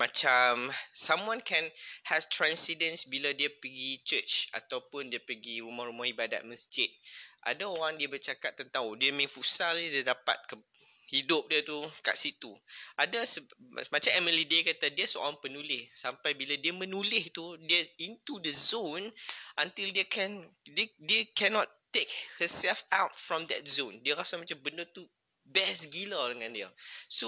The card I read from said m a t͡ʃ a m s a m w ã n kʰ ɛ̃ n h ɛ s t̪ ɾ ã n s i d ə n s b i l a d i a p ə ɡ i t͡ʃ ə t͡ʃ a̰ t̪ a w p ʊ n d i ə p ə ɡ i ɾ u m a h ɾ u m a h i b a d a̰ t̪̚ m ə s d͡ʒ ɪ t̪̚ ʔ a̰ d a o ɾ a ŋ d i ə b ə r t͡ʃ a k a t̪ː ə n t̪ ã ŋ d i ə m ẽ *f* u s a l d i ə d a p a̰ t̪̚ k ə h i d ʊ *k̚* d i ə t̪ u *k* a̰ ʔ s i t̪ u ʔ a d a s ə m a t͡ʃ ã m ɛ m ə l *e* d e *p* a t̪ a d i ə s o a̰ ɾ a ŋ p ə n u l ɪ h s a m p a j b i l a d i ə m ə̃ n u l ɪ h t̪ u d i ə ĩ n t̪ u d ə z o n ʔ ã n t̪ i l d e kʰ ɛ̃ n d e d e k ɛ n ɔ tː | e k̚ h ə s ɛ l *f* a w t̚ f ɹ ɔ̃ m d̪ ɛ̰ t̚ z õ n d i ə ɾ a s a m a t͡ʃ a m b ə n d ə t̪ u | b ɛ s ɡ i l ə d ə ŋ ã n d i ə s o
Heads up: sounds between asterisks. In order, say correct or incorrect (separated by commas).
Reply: correct, incorrect, correct, incorrect, incorrect, correct